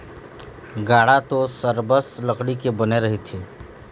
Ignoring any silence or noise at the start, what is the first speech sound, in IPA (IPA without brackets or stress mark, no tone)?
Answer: ɡ